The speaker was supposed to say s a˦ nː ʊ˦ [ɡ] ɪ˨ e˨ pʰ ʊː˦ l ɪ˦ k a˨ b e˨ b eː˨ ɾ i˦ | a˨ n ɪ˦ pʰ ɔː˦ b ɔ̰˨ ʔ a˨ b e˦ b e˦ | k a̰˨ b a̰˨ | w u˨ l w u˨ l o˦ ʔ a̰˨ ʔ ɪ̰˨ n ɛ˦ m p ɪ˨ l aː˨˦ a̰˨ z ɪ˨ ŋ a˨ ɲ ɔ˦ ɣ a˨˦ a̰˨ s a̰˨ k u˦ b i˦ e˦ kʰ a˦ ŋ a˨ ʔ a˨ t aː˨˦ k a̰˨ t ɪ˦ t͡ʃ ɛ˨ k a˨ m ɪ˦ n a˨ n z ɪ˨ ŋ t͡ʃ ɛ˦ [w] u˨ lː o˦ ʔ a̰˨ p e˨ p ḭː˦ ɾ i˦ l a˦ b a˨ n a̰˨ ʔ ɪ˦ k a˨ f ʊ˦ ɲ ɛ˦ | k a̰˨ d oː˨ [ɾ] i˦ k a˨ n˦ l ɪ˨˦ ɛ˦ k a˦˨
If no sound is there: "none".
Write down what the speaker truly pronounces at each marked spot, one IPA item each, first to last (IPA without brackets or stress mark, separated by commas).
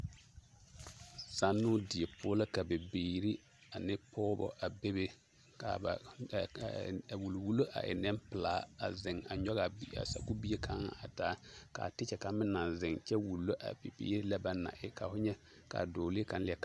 d, w, l